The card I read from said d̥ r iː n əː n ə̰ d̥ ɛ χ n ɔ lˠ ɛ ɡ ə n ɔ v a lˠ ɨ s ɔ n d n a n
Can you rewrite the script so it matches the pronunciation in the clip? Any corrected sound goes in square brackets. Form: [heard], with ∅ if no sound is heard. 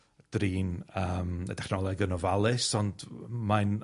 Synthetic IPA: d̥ r iː n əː [m] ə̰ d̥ ɛ χ n ɔ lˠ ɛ ɡ ə n ɔ v a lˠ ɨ s ɔ n d [m] a n